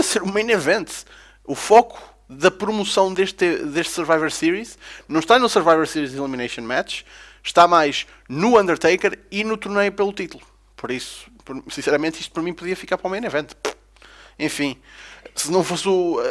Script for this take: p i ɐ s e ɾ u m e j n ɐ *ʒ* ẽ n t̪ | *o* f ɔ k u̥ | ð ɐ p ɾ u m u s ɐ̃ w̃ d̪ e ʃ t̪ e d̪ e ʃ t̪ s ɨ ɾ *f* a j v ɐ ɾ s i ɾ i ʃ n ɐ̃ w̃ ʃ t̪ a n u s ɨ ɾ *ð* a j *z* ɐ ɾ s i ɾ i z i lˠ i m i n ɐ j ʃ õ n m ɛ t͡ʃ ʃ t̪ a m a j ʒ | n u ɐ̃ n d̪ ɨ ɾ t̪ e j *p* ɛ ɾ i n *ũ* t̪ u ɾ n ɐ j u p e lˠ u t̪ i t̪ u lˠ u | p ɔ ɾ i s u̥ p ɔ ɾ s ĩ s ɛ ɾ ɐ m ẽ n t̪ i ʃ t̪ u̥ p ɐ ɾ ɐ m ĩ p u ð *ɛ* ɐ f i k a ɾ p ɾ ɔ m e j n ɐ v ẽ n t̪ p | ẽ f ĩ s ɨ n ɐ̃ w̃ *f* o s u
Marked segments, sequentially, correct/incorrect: incorrect, incorrect, incorrect, incorrect, incorrect, incorrect, incorrect, incorrect, correct

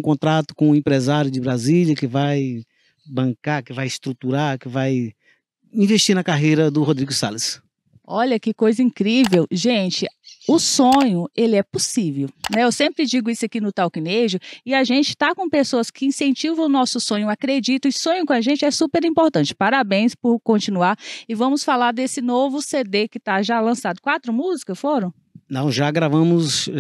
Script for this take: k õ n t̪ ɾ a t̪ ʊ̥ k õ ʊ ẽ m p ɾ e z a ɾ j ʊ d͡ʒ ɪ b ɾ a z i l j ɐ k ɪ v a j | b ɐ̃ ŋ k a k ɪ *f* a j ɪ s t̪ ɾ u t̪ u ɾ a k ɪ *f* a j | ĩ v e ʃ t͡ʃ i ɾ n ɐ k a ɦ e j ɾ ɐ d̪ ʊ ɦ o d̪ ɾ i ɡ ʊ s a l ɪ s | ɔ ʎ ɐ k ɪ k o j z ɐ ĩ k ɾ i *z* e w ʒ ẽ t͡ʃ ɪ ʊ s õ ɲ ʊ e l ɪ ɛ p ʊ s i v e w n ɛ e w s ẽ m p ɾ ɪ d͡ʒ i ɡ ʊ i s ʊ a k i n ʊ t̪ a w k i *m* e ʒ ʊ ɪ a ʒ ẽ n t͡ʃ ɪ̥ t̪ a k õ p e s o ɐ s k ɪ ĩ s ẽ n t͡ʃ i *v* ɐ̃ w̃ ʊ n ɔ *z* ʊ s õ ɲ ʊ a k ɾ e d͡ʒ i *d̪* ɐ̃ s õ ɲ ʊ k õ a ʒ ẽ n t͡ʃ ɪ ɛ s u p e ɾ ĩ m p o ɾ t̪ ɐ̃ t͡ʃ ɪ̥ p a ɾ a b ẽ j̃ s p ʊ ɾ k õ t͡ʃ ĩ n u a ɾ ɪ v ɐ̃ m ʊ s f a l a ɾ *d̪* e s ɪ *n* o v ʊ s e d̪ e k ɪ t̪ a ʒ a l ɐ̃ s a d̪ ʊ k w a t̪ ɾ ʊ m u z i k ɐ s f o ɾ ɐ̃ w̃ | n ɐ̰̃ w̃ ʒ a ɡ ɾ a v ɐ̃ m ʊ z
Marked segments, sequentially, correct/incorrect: incorrect, incorrect, incorrect, incorrect, correct, incorrect, incorrect, correct, correct

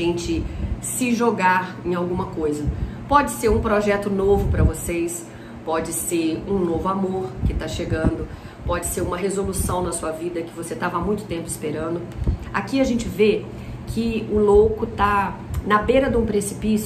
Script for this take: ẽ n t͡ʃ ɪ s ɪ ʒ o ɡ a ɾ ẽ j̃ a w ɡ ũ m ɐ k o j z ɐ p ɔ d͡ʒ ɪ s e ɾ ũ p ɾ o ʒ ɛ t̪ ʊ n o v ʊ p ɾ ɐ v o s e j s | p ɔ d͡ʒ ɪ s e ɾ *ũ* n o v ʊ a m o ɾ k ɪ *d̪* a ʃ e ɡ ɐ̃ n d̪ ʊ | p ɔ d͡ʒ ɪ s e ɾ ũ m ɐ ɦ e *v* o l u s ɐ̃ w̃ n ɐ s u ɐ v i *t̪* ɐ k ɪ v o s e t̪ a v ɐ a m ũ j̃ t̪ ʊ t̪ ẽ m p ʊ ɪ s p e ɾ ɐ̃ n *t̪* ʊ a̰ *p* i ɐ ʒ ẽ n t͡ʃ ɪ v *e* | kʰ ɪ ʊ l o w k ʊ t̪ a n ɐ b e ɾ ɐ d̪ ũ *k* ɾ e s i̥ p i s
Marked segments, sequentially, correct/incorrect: correct, incorrect, incorrect, incorrect, incorrect, incorrect, correct, incorrect

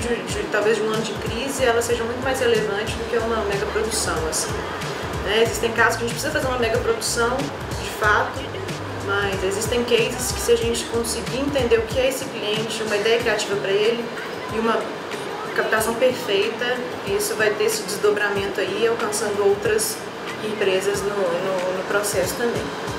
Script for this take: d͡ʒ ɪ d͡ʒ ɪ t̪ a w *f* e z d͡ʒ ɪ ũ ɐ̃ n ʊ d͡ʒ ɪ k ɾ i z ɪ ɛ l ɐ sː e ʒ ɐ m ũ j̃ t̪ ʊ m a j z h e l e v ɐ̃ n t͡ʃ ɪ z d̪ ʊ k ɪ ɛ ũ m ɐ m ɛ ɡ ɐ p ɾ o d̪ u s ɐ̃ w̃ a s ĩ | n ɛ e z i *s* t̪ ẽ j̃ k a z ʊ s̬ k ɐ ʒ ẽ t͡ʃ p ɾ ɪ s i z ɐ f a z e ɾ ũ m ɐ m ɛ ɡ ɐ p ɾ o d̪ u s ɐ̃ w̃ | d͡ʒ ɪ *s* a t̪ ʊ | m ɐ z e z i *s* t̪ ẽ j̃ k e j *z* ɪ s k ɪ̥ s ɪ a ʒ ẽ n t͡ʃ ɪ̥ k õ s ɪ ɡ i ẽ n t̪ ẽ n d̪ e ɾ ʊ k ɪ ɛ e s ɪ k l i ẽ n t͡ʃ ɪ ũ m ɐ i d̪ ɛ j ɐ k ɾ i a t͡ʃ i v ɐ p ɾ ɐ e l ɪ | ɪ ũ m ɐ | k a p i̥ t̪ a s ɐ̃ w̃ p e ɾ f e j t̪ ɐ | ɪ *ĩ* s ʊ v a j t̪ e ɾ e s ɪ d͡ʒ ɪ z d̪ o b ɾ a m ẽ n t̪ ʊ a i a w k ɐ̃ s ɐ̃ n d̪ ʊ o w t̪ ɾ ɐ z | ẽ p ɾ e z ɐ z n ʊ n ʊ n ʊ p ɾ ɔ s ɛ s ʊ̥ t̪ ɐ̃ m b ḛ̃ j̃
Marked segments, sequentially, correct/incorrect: incorrect, correct, incorrect, correct, correct, incorrect

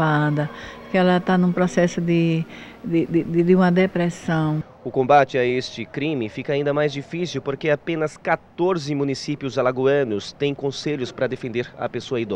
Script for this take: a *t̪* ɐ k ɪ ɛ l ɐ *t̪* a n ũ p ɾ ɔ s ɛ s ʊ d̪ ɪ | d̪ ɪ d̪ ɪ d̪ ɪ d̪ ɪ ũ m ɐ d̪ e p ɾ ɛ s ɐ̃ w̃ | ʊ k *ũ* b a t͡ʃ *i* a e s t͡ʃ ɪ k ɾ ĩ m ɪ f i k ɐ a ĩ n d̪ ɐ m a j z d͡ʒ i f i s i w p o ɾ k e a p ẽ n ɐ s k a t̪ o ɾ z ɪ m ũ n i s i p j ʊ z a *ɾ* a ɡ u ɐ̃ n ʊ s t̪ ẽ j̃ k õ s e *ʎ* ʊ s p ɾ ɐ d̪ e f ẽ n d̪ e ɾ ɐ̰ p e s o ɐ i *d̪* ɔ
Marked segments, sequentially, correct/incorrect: incorrect, correct, incorrect, incorrect, incorrect, correct, correct

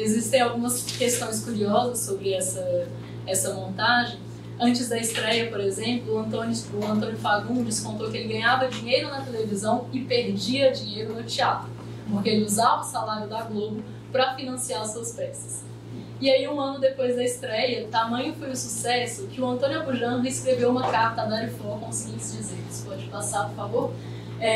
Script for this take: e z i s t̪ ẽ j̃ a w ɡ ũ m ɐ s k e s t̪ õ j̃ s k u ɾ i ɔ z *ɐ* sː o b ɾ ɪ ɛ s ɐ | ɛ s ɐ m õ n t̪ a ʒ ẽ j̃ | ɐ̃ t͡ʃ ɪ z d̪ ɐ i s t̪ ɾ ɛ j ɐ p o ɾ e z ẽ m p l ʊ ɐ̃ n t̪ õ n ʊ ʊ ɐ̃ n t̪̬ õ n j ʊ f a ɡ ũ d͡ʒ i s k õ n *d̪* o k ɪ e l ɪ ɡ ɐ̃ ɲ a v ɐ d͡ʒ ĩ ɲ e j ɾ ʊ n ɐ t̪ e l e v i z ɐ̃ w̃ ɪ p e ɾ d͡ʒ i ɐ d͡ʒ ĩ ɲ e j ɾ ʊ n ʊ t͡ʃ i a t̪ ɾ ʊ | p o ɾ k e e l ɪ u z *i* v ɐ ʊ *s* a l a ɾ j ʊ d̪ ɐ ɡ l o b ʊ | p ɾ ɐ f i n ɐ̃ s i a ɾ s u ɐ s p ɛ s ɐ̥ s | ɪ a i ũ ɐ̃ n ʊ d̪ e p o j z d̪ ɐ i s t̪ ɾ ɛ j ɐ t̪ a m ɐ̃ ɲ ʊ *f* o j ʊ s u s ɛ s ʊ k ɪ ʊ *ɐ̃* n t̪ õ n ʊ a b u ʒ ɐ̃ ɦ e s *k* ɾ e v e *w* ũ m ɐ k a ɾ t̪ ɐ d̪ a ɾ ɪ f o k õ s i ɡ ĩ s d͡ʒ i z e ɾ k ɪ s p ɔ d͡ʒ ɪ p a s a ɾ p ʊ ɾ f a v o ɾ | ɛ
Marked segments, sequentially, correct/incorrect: correct, incorrect, incorrect, correct, correct, correct, correct, correct

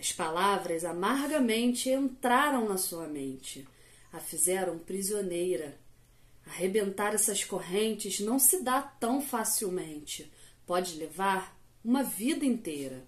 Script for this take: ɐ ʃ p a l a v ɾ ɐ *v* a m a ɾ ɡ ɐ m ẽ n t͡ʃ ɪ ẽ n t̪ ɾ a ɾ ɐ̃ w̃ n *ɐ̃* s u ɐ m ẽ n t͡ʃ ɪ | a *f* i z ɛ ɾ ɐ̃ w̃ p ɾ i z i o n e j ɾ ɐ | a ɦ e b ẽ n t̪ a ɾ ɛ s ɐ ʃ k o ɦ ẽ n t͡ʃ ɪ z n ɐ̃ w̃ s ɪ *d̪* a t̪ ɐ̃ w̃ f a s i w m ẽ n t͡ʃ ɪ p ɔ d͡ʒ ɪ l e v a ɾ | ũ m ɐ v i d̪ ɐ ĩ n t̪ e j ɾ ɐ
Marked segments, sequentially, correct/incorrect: incorrect, incorrect, correct, correct

